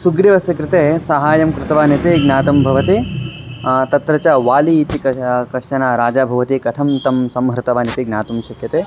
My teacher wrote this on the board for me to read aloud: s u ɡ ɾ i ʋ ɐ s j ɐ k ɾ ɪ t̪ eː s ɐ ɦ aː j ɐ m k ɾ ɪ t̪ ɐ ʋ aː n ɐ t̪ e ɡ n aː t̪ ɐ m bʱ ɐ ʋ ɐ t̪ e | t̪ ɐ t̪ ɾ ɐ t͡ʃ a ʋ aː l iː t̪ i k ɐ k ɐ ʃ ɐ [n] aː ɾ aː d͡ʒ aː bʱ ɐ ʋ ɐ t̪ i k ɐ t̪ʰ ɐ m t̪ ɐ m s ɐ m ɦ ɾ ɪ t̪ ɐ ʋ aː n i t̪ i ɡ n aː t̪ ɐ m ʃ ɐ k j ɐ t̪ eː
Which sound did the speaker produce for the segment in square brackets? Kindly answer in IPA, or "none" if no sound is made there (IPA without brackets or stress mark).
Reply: n